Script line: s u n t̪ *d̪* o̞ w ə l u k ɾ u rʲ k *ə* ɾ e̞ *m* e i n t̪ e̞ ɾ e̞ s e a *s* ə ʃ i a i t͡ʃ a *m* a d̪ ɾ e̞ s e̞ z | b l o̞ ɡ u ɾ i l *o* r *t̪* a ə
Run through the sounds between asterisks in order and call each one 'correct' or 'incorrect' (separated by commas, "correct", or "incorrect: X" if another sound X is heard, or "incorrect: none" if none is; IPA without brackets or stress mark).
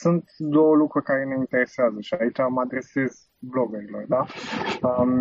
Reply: correct, incorrect: a, incorrect: n, incorrect: z, correct, correct, incorrect: d̪